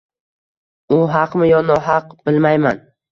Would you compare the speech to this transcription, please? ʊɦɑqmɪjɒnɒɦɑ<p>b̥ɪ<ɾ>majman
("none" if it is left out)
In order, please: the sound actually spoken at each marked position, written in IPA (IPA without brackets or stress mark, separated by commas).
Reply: q, l